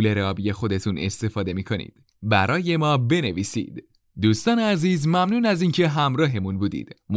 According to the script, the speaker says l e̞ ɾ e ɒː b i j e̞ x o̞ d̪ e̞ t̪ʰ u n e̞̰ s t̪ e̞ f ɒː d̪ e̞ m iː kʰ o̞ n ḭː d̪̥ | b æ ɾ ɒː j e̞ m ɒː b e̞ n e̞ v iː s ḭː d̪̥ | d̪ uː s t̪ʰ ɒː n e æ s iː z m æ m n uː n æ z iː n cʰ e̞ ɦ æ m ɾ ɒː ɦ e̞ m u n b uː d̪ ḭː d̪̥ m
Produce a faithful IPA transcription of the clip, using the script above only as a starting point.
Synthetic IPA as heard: l e̞ ɾ e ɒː b i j e̞ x o̞ d̪ e̞ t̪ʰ u n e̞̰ s t̪ e̞ f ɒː d̪ e̞ m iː kʰ o̞ n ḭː d̪̥ | b æ ɾ ɒː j e̞ m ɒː b e̞ n e̞ v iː s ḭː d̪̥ | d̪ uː s t̪ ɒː n e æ z iː z m æ m n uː n æ z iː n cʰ e̞ ɦ æ m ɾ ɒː ɦ e̞ m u n b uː d̪ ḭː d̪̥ m